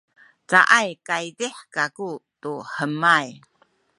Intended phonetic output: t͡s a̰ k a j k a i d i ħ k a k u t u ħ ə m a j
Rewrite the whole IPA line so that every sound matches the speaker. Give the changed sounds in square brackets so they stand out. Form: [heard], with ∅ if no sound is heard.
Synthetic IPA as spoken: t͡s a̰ [ʔ] a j k a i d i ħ k a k u t u ħ ə m a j

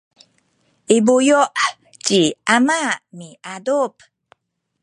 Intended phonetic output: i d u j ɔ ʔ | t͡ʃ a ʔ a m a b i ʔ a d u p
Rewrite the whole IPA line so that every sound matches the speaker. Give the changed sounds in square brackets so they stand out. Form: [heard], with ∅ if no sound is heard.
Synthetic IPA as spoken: i [b] u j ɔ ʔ | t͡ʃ [i] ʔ a m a [m] i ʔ a d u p

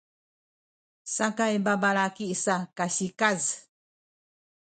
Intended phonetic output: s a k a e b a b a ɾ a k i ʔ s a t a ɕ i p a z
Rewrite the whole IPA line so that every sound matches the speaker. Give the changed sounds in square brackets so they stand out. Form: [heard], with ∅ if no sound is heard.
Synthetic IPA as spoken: s a k a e b a b a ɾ a k i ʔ s a [k] a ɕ i [k] a z

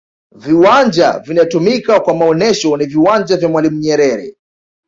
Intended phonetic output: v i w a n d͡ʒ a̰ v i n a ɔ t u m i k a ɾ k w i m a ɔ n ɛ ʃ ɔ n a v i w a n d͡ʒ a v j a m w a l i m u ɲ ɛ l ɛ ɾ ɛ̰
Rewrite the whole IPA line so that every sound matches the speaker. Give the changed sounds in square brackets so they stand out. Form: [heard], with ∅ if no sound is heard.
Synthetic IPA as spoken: v i w a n d͡ʒ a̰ v i n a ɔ t u m i k a [∅] k w [a] m a ɔ n ɛ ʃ ɔ n [i] v i w a n d͡ʒ a v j a m w a l i m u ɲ ɛ [ɾ] ɛ ɾ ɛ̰

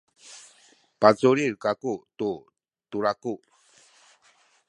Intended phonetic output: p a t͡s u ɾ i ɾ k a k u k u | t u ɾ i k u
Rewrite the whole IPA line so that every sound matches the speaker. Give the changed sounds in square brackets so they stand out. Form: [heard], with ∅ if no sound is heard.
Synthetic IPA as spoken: p a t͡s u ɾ i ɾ k a k u [t] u | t u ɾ [a] k u

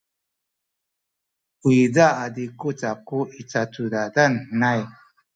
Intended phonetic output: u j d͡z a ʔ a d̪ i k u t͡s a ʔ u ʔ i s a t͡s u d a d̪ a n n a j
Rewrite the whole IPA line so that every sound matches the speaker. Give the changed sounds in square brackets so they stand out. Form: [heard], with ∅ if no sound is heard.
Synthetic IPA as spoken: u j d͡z a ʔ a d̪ i k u t͡s a [k] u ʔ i [t͡s] a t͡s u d a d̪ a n n a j

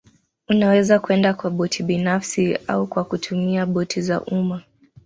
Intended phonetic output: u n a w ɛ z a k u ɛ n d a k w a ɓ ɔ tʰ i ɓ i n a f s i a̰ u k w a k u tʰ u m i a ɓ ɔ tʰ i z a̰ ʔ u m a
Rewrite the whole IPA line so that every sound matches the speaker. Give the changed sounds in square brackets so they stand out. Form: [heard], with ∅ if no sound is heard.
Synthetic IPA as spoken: u n a w ɛ z a k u ɛ n d a k w a ɓ ɔ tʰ i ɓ i n a f s i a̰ u k w a k u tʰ u m i a ɓ ɔ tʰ i z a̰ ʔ u m a

